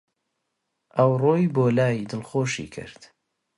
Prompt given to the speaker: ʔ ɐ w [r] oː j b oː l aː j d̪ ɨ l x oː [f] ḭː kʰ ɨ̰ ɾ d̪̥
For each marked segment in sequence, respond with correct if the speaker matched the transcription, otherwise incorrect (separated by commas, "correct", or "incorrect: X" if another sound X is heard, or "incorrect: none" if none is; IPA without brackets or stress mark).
correct, incorrect: ʃ